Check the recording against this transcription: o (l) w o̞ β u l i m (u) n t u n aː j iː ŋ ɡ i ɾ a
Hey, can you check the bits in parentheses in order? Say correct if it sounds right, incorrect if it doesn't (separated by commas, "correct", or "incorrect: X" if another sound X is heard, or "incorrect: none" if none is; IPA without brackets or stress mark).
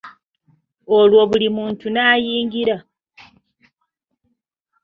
correct, incorrect: uː